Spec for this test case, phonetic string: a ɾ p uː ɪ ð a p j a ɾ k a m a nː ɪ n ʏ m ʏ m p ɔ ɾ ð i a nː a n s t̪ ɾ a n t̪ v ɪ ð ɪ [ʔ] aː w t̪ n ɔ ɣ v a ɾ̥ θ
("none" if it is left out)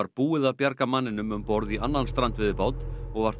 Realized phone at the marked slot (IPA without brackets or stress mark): p